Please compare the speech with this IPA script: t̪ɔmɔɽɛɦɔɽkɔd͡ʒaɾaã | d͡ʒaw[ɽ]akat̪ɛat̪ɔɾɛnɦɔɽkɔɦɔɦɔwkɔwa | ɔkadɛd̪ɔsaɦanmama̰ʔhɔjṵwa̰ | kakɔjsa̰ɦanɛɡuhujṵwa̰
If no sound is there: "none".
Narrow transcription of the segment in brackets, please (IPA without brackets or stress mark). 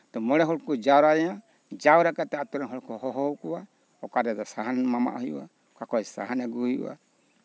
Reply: ɾ